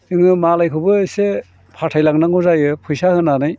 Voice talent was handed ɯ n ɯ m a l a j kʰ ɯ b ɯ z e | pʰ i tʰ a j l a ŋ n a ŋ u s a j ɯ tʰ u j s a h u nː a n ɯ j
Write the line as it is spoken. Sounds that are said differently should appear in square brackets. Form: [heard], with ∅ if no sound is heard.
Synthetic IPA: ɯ [ŋ] ɯ m a l a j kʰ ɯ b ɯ [s] e | pʰ [a] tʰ a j l a ŋ n a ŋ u [z] a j ɯ [pʰ] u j s a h [ɯ] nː a n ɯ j